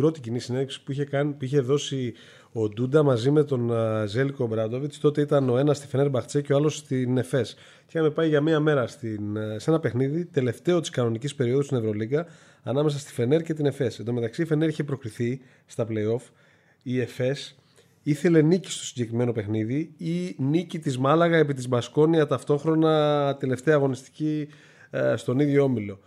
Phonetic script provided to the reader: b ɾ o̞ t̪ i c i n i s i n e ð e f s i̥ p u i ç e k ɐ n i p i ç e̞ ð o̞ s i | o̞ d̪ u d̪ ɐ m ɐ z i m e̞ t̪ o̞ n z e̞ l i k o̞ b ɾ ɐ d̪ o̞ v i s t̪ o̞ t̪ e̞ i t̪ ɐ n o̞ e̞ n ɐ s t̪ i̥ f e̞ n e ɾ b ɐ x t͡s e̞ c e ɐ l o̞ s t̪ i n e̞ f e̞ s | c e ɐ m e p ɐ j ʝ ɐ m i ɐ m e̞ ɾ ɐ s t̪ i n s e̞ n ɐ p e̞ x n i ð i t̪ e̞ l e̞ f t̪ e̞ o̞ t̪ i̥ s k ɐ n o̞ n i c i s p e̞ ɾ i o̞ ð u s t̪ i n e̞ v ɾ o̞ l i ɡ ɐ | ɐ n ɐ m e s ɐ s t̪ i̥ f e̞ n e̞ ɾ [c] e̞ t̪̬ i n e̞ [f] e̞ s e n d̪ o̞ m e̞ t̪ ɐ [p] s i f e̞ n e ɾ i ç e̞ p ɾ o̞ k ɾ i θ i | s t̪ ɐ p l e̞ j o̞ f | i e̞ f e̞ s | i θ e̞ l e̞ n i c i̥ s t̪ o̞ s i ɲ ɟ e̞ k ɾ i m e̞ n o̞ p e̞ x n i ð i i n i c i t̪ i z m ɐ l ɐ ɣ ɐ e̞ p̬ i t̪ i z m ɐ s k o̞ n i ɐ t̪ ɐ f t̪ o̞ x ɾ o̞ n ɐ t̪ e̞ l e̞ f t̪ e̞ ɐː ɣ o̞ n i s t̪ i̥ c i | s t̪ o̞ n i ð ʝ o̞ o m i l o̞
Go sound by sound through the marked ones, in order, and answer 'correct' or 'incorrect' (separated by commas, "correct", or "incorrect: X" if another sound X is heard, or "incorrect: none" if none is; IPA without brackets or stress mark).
correct, correct, incorrect: k